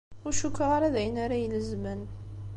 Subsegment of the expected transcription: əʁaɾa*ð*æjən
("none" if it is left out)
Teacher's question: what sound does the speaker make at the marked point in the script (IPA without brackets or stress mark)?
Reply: ð